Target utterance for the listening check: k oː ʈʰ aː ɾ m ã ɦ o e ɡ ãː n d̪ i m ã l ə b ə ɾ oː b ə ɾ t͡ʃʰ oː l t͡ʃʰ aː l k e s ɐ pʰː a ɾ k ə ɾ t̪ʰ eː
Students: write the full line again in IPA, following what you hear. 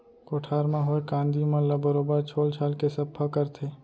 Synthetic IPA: k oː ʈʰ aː ɾ m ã ɦ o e k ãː n d̪ i m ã l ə b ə ɾ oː b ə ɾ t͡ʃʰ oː l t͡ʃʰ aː l k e s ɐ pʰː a k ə ɾ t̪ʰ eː